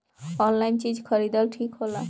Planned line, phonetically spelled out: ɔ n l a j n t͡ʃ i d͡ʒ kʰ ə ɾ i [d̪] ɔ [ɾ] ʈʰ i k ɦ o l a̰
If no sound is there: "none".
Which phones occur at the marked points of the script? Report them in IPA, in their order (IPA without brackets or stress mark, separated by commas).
d̪, l